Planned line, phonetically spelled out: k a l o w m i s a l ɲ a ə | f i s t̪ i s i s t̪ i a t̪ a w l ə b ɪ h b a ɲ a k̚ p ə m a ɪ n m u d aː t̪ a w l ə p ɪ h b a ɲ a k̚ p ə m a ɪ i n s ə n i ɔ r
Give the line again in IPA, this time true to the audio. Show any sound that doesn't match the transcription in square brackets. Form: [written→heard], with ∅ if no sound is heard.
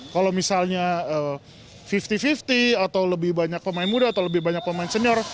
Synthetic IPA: k a l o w m i s a l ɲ a ə | f i [s→f] t̪ i [s→f] i [s→f] t̪ i a t̪ a w l ə b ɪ h b a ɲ a k̚ p ə m a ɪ n m u d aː t̪ a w l ə [p→b] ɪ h b a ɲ a k̚ p ə m a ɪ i n s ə n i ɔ r